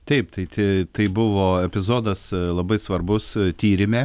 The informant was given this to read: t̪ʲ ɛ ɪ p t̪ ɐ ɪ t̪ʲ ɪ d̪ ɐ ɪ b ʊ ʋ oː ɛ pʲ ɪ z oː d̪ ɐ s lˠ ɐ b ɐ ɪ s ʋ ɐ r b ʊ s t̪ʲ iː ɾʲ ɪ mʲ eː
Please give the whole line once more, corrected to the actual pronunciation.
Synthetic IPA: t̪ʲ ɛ ɪ p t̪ ɐ ɪ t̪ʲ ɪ t̪ ɐ ɪ b ʊ ʋ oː ɛ pʲ ɪ z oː d̪ ɐ s lˠ ɐ b ɐ ɪ s ʋ ɐ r b ʊ s t̪ʲ iː ɾʲ ɪ mʲ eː